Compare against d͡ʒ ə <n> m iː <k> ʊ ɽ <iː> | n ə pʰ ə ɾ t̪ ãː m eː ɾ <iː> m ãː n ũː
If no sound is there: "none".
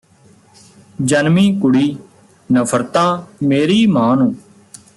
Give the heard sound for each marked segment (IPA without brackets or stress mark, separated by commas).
n, k, iː, iː